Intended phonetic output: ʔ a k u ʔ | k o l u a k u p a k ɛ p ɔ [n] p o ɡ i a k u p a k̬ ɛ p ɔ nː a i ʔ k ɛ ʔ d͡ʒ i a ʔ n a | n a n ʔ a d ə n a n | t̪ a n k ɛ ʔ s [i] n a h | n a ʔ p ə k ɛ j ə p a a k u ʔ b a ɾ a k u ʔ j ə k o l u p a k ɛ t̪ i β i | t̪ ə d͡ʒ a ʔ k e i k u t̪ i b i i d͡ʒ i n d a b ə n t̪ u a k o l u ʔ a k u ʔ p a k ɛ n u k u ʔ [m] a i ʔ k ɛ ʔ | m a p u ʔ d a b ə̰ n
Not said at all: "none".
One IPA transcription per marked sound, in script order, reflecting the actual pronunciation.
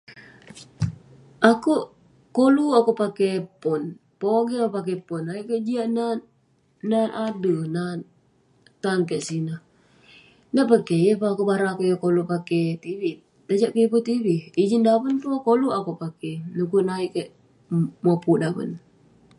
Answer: n, i, n

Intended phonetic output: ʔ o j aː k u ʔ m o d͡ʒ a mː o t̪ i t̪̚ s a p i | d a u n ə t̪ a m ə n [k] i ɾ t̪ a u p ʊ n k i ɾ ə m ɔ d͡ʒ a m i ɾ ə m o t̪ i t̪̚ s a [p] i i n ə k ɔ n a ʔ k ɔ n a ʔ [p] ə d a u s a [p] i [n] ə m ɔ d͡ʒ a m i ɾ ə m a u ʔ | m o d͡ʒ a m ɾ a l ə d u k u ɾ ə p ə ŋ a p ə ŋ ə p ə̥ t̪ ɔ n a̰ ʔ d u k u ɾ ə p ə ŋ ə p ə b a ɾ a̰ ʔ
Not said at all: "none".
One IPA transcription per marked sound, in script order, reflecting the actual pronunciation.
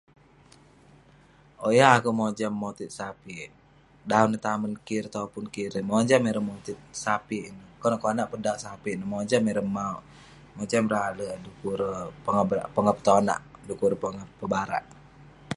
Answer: k, p, p, p, n

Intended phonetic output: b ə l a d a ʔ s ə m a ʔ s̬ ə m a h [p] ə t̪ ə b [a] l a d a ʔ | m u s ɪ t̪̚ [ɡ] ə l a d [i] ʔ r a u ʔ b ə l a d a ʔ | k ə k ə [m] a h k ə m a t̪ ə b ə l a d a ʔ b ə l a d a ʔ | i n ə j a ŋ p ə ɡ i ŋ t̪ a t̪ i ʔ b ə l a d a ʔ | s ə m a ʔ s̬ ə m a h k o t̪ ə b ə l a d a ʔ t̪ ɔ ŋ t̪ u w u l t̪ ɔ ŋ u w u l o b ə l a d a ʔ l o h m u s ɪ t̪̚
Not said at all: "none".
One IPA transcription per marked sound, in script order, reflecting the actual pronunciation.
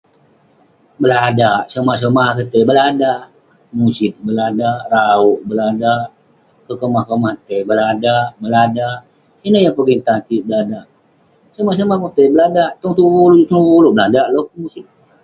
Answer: k, ə, b, a, m

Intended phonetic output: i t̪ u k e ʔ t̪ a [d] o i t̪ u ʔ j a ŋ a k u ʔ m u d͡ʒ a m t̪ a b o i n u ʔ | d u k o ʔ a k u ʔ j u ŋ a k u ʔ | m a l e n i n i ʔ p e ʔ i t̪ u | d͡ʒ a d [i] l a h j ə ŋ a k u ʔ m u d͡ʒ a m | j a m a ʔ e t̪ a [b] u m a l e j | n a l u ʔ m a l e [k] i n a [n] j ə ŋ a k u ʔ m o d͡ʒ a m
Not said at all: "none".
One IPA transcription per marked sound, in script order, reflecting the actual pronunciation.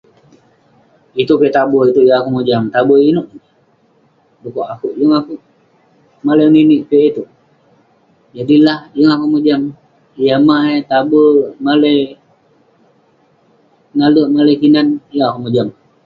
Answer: b, i, b, k, n

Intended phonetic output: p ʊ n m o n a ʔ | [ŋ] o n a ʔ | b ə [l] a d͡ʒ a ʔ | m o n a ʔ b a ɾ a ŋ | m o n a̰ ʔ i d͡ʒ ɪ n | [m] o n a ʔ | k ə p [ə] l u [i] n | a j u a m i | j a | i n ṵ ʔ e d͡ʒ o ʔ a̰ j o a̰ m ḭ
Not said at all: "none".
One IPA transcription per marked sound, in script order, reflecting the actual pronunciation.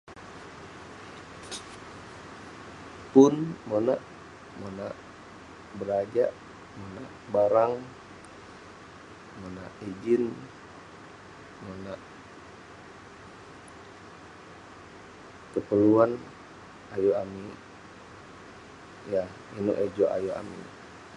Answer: m, ɾ, m, ə, a

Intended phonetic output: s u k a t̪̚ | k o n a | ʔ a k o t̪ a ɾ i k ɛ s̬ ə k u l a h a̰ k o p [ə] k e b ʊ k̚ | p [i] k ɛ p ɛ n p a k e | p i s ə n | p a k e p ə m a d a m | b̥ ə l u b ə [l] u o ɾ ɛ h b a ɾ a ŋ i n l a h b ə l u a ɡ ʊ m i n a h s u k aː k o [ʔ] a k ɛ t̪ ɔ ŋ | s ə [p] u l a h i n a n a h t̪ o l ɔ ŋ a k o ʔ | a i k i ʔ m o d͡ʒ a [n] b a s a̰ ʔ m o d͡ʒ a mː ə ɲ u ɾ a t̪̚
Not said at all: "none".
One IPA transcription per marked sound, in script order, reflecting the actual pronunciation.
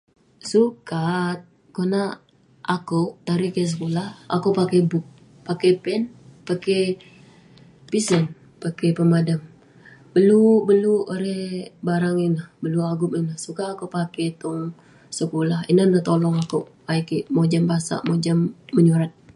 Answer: a, a, l, p, k, m

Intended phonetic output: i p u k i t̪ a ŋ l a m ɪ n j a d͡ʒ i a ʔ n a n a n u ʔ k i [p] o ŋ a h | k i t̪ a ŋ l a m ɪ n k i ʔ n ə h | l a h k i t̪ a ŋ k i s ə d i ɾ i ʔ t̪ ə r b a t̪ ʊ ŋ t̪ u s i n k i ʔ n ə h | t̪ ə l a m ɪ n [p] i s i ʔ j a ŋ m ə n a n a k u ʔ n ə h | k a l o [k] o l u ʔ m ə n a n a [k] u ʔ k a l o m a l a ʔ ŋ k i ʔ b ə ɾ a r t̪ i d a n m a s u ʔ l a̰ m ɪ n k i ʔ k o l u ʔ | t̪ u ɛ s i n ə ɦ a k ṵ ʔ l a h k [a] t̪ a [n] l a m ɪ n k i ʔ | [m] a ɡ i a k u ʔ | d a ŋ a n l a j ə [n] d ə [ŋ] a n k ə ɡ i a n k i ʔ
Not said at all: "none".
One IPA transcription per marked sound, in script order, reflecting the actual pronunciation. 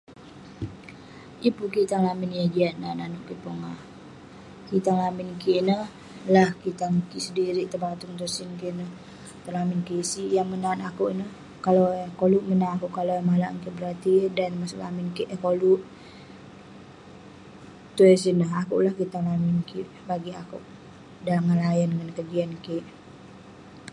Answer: p, k, k, k, i, ŋ, b, n, ŋ

